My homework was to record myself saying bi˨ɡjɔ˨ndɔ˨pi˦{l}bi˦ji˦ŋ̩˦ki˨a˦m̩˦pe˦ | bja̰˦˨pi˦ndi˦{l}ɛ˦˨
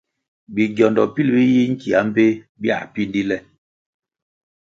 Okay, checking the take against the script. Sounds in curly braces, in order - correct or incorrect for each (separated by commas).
correct, correct